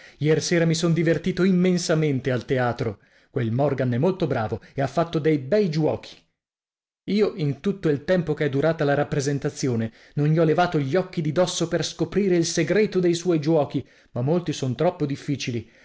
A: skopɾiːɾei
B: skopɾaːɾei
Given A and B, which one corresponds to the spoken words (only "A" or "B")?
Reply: A